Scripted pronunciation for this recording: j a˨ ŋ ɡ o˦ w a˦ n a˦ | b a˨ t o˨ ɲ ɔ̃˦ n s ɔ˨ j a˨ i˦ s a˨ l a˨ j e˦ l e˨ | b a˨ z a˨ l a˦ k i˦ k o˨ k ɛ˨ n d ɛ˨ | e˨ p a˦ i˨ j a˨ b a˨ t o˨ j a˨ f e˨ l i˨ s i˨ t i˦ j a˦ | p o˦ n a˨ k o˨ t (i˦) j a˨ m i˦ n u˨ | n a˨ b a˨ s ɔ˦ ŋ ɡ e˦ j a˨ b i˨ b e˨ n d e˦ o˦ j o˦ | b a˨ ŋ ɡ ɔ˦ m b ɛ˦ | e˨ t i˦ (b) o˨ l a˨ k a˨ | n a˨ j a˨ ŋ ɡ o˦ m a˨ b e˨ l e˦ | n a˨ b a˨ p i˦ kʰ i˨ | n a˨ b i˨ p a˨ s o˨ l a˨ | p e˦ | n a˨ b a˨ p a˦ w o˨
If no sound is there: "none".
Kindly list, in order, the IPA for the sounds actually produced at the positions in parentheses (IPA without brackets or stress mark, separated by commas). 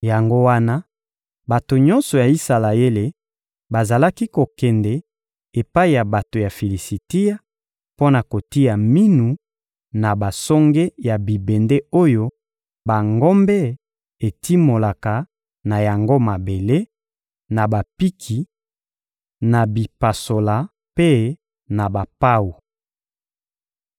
i˦, m